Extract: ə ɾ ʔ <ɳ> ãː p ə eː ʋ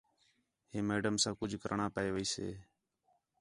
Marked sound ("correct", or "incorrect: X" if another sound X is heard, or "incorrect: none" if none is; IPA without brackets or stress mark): correct